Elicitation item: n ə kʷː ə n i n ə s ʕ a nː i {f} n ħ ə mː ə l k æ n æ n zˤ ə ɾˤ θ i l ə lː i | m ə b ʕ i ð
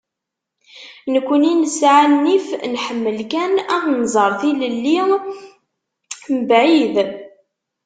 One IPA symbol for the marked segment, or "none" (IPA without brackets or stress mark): f